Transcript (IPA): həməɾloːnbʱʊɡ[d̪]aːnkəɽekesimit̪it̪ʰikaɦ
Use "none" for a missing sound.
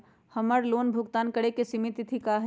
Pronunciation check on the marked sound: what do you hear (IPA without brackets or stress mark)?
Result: t̪